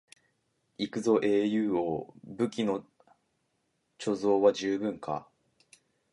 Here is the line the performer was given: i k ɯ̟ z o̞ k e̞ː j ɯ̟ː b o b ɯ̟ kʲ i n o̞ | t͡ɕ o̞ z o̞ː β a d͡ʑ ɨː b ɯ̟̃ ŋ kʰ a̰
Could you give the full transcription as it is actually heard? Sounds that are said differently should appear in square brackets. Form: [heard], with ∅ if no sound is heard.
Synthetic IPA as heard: i k ɯ̟ z o̞ [ʔ] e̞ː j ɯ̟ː [∅] o b ɯ̟ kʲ i n o̞ | t͡ɕ o̞ z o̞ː β a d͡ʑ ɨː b ɯ̟̃ ŋ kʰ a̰